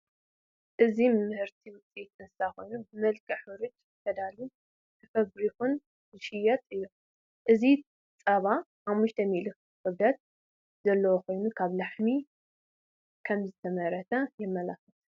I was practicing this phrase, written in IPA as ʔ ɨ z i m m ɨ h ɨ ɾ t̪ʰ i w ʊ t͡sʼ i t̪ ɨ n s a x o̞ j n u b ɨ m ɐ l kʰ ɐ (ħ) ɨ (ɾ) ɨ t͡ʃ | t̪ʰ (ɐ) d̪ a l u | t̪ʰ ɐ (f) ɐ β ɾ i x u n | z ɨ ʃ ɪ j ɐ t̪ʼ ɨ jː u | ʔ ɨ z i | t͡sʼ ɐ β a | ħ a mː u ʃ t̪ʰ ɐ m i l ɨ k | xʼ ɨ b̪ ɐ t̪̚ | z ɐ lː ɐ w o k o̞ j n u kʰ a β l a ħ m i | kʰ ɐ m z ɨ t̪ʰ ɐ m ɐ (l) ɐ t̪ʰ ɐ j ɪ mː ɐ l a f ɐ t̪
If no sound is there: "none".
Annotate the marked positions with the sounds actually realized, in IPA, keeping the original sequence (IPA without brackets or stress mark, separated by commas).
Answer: ħ, ɾ, ɐ, f, ɾ